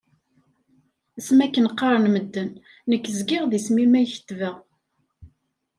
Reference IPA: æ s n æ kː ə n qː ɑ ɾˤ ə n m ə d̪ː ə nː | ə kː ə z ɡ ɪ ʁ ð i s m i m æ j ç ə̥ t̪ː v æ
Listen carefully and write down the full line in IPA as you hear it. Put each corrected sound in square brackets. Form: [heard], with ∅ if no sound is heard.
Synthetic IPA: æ s [m] æ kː ə n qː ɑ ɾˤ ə n m ə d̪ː ə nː | ə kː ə z ɡ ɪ ʁ ð i s m i m æ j ç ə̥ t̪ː v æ